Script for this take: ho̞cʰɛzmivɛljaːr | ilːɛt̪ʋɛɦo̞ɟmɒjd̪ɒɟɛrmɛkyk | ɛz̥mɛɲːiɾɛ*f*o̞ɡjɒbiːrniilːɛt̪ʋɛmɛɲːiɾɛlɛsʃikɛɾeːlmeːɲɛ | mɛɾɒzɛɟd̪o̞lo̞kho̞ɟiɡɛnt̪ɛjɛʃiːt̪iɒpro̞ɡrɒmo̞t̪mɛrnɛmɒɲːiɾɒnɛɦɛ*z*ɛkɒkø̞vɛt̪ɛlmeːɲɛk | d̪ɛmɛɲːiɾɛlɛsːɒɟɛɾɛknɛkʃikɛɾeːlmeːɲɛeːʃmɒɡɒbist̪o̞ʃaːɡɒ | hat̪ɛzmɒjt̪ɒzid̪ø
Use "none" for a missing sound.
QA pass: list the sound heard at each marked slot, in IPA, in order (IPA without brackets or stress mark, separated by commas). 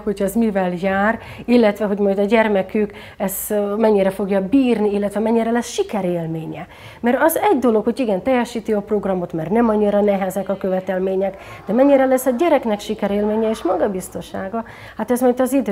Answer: f, z